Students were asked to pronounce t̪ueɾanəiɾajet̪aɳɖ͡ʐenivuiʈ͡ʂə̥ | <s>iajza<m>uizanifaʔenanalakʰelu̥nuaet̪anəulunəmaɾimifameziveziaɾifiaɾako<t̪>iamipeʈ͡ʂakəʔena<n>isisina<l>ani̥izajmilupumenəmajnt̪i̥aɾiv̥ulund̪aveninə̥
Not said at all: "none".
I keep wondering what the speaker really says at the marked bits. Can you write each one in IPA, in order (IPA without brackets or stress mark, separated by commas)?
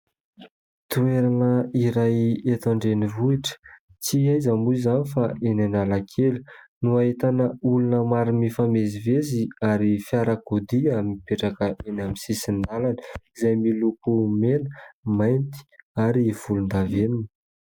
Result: t͡s, m, d̪, m, l